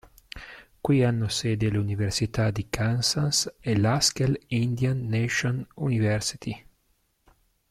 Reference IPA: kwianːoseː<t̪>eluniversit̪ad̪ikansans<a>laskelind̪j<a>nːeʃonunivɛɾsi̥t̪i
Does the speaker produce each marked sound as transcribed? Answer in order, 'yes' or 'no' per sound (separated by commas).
no, no, yes